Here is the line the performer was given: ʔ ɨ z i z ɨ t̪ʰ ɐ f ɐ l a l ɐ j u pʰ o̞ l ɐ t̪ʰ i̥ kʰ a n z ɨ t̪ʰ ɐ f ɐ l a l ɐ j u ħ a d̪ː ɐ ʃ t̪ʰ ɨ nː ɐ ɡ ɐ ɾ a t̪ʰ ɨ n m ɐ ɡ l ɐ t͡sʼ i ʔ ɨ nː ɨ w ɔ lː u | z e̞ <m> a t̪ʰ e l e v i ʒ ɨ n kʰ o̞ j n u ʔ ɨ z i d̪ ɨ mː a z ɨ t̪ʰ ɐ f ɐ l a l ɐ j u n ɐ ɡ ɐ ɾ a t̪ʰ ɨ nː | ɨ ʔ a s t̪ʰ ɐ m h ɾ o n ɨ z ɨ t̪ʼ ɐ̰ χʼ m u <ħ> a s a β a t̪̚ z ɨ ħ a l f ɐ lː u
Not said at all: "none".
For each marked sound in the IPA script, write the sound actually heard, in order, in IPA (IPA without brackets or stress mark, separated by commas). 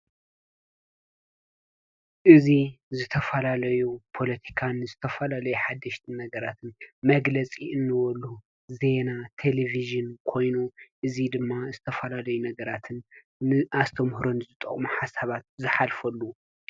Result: n, ħ